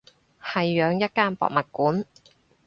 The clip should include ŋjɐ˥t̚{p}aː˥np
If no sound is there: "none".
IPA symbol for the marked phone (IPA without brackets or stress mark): k